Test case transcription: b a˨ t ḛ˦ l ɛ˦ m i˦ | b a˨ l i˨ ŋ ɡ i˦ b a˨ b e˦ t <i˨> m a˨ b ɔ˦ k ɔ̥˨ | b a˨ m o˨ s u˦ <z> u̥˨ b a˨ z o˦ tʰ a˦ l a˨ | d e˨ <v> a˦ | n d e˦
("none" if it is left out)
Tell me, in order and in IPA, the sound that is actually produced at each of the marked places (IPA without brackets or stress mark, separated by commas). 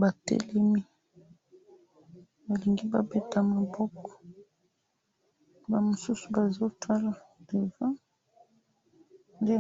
a˨, s, v